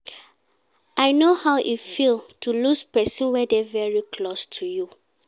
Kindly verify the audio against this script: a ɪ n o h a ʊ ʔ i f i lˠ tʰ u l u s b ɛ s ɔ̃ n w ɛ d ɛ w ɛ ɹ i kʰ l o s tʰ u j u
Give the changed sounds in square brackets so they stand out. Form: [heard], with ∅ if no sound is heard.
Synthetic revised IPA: a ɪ n o h a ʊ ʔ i f i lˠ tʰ u l u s [p] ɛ s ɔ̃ n w ɛ d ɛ [v] ɛ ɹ i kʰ l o s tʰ u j u